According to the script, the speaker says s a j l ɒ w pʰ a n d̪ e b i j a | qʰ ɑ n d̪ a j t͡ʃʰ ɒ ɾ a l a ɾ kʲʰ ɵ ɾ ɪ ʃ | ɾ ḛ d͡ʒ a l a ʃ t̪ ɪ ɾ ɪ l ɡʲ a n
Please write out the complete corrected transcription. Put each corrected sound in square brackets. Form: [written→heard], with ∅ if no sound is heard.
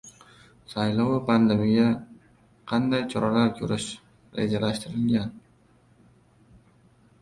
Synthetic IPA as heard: s a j l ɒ w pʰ a n d̪ e [b→m] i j a | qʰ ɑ n d̪ a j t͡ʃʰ ɒ ɾ a l a ɾ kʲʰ ɵ ɾ ɪ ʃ | ɾ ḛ d͡ʒ a l a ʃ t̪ ɪ ɾ ɪ l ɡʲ a n

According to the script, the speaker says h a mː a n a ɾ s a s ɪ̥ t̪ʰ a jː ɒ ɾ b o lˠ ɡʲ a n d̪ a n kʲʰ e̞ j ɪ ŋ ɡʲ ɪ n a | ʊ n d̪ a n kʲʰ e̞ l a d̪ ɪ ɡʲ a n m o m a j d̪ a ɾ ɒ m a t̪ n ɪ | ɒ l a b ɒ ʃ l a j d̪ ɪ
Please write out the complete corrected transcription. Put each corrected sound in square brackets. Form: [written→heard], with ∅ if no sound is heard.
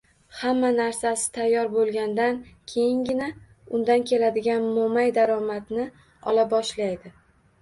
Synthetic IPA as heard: h a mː a n a ɾ s a s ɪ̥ t̪ʰ a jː ɒ ɾ b o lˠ ɡʲ a n d̪ a n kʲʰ e̞ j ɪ ŋ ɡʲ ɪ n a | ʊ n d̪ a n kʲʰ e̞ l a d̪ ɪ ɡʲ a n m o m a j d̪ a ɾ ɒ m a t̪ n ɪ | ɒ l a b ɒ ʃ l a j d̪ ɪ

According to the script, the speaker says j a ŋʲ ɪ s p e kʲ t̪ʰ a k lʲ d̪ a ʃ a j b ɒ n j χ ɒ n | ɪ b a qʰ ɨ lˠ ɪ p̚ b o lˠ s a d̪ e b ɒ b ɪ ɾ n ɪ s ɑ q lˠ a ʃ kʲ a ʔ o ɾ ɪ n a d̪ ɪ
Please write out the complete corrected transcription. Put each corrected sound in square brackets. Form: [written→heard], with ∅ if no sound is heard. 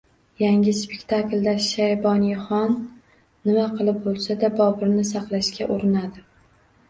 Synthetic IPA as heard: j a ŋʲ ɪ s p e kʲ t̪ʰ a k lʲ d̪ a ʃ a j b ɒ n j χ ɒ [n→nː] | ɪ [b→m] a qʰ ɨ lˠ ɪ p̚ b o lˠ s a d̪ [e→a] b ɒ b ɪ ɾ n ɪ s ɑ q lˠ a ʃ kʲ a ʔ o ɾ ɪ n a d̪ ɪ

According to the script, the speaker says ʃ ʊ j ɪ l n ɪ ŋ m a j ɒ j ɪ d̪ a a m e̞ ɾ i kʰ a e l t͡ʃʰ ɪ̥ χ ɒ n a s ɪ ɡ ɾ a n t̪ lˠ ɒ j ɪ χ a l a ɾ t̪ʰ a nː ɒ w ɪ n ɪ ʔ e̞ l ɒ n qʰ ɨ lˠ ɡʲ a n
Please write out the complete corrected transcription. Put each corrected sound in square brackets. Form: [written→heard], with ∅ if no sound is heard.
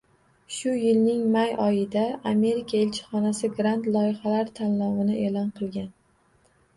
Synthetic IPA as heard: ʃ ʊ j ɪ l n ɪ ŋ m a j ɒ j ɪ d̪ a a m e̞ ɾ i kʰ a e l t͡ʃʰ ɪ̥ χ ɒ n a s ɪ ɡ ɾ a n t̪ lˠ ɒ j ɪ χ a l a ɾ t̪ʰ a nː ɒ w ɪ n ɪ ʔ e̞ l ɒ n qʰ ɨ lˠ ɡʲ a n

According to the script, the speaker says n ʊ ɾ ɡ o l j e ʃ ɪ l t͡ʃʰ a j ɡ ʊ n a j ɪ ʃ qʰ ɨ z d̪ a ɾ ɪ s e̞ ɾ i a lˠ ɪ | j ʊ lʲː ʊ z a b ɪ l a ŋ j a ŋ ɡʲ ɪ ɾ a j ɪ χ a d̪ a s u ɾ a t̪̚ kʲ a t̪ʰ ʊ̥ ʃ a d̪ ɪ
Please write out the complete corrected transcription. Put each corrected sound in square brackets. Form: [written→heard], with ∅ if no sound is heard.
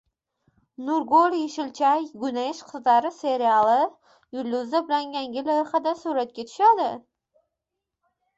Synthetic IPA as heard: n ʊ ɾ ɡ o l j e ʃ ɪ l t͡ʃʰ a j ɡ ʊ n a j ɪ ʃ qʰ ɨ z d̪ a ɾ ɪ s e̞ ɾ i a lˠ ɪ | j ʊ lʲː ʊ z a b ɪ l a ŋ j a ŋ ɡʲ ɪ [ɾ→l] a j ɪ χ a d̪ a s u ɾ a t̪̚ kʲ a t̪ʰ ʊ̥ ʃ a d̪ ɪ

